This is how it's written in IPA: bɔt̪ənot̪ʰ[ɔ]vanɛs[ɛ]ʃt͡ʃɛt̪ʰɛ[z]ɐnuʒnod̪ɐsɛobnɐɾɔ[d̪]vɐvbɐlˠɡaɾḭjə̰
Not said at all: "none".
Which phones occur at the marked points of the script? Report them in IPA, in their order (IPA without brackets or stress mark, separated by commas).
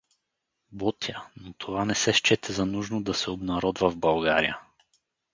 o, ɛ, z, d̪